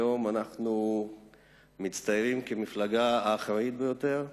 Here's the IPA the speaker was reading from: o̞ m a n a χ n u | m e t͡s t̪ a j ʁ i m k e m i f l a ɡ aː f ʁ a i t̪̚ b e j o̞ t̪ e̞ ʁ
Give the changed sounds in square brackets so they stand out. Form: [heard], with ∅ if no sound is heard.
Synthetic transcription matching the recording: o̞ m a n a χ n u | m [i] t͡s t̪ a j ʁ i m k e m i f l a ɡ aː [χ] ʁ a i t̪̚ b e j o̞ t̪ e̞ ʁ